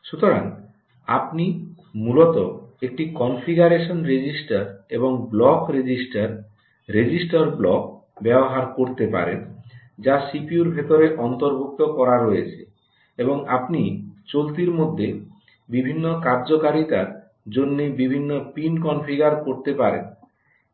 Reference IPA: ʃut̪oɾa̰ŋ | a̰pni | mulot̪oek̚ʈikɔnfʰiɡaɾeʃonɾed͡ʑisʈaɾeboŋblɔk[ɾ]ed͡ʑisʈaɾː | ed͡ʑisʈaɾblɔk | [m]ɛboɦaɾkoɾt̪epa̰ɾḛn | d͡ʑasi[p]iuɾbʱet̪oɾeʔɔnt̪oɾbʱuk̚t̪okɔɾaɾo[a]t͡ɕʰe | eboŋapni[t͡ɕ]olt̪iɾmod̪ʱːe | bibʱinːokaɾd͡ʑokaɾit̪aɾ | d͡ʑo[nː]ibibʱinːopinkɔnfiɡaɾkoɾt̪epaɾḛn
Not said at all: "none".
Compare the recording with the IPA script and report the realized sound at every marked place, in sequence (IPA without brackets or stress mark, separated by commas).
ɾ, b, p, e, t͡ɕ, nː